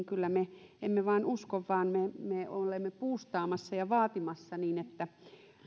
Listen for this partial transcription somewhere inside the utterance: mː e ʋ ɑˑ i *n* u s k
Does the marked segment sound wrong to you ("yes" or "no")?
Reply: no